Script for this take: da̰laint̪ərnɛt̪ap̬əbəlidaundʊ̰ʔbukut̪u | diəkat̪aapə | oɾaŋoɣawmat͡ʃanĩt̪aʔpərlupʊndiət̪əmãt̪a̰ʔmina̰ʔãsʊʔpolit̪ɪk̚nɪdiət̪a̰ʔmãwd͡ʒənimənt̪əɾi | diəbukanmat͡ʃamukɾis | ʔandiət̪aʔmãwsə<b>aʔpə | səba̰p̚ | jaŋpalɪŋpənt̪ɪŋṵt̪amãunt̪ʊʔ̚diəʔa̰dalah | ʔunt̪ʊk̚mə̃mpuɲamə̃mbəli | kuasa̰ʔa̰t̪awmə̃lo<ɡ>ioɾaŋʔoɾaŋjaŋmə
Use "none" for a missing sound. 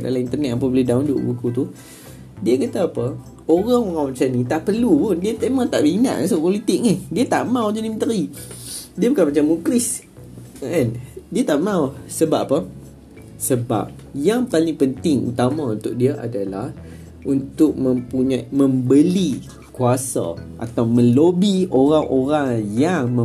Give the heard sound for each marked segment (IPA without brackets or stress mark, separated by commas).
b, b